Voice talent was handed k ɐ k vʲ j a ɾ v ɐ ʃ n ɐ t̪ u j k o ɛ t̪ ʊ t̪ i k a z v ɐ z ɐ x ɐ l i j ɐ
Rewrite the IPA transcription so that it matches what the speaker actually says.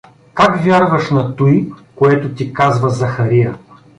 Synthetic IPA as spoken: k a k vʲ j a ɾ v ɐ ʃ n ɐ t̪ u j k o ɛ t̪ ʊ t̪ i k a z v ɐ z ɐ x ɐ ɾ i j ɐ